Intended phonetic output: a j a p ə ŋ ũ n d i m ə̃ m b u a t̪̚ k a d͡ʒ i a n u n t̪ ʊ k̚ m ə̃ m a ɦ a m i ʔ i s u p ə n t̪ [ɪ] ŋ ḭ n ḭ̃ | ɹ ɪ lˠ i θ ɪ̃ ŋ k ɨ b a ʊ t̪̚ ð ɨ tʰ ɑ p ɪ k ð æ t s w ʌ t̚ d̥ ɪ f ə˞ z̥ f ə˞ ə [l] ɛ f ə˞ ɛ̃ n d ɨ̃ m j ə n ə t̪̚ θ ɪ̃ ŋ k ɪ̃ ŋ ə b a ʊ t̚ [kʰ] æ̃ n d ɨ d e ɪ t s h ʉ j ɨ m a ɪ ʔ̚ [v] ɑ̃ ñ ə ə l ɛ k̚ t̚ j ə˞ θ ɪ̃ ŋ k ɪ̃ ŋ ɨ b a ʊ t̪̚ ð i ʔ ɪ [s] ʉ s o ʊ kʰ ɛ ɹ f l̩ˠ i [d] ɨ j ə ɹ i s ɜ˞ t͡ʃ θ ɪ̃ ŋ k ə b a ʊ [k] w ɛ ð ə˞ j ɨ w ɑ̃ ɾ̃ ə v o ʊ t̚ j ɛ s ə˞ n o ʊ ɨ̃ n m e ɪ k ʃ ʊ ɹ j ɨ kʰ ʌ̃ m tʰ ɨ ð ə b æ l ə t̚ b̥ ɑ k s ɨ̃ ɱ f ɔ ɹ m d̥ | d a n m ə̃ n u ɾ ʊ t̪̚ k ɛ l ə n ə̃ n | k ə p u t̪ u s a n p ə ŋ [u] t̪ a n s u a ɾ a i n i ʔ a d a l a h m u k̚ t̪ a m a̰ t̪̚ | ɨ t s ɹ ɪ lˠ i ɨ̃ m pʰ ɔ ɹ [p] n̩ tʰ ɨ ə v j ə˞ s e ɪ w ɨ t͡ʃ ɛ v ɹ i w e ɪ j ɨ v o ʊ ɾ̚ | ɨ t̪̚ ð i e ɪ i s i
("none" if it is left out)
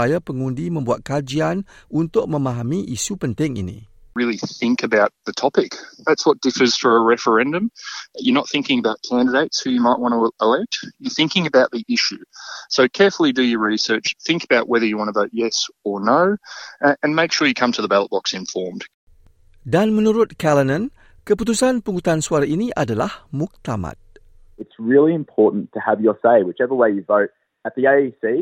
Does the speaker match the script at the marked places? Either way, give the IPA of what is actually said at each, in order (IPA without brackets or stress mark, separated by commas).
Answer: ɪ, ɹ, kʰ, w, ʃ, d, ʔ, u, ʔ